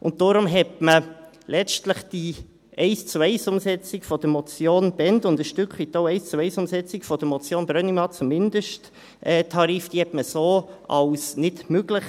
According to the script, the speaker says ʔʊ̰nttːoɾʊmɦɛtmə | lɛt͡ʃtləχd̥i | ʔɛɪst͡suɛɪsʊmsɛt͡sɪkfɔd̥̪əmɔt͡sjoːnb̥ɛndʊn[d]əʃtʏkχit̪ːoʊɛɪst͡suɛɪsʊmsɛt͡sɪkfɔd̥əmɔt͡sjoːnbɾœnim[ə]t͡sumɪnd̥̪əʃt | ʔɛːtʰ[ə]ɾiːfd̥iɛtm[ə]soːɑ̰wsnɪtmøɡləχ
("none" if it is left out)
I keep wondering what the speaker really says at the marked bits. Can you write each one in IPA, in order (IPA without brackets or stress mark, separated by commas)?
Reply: d, ɑ, ɑ, ə